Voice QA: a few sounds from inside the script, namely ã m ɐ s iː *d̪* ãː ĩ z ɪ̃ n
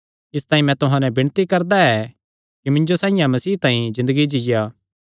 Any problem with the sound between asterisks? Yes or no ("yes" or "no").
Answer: yes